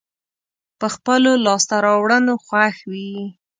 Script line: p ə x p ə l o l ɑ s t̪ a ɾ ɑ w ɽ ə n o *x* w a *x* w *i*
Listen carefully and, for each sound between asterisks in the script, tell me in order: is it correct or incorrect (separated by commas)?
correct, correct, correct